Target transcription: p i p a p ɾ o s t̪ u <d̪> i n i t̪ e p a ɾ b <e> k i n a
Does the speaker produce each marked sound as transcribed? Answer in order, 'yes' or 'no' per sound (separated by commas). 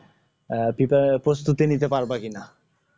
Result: no, no